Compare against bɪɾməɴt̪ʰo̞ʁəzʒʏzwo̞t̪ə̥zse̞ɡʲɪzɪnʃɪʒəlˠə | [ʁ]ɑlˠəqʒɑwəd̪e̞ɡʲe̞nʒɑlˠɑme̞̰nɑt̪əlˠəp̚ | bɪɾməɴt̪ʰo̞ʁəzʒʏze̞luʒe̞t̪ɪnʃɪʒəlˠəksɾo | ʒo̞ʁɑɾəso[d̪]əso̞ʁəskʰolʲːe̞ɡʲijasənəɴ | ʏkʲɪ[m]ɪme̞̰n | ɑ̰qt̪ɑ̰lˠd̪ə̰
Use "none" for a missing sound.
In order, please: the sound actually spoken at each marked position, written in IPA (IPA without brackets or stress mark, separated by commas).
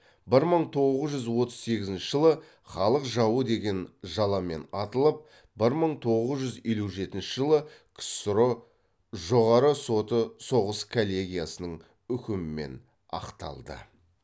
χ, t̪, m